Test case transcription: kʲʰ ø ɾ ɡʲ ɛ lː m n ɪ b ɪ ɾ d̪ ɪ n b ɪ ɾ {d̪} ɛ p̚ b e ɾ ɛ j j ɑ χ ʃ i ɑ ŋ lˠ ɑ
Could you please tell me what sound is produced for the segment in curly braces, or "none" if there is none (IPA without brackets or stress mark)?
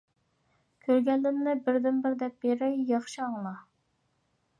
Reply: d̪